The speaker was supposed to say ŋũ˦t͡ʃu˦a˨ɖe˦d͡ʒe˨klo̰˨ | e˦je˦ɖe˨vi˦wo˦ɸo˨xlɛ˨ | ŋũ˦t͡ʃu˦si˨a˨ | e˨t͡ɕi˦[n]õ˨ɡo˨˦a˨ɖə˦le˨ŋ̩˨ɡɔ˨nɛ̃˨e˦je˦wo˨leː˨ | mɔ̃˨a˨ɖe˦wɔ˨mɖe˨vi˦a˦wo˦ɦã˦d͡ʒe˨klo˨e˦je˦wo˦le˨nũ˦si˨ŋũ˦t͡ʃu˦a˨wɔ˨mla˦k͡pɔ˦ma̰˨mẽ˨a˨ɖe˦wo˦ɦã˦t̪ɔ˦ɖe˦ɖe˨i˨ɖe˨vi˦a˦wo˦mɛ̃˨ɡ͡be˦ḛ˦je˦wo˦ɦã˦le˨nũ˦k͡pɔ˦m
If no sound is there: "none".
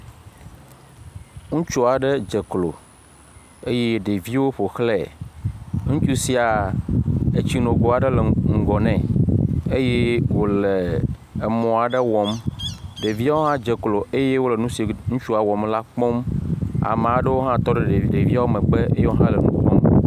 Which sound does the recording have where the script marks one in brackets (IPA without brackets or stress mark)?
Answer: n